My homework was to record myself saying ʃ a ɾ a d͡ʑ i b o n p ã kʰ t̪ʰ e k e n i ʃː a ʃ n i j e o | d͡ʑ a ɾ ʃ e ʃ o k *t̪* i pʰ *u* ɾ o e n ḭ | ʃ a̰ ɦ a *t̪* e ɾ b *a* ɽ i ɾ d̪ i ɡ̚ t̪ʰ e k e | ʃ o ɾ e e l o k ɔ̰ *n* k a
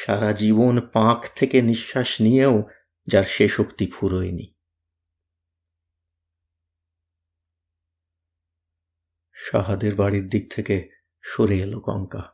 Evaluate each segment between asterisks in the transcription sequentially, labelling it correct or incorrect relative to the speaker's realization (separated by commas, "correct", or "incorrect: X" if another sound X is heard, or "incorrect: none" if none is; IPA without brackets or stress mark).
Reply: correct, correct, incorrect: d̪, correct, incorrect: ŋ